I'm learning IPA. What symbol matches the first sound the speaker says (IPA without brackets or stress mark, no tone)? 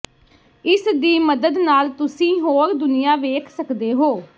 ɪ